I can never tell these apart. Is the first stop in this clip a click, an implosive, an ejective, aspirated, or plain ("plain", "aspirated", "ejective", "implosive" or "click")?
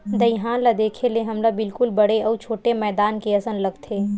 plain